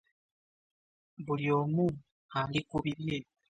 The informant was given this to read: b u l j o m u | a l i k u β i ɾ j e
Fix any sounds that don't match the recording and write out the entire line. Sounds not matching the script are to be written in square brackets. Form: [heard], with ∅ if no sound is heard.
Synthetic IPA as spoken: b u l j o m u | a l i k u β i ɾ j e